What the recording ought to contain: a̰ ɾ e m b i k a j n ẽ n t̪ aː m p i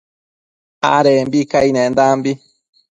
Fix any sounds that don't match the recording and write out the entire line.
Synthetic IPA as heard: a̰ ɾ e m b i k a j n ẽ n d̪ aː m b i